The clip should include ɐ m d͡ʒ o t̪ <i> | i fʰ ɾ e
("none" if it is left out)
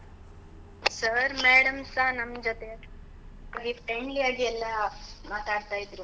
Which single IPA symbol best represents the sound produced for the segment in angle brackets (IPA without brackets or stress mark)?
e